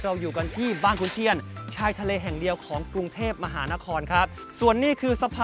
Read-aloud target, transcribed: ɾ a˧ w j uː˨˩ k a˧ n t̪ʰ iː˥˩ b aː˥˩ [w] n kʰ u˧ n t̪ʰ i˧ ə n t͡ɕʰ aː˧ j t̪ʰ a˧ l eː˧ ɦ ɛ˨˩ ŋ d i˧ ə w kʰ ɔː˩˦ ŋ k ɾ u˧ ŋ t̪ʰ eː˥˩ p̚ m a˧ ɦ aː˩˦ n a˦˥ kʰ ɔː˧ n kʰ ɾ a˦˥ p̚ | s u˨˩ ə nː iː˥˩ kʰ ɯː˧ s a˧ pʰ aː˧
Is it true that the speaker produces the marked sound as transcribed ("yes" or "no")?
no